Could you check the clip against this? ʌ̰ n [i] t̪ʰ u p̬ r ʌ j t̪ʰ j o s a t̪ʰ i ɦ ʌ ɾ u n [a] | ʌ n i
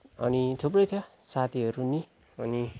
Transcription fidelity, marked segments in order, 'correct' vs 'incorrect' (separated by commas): correct, incorrect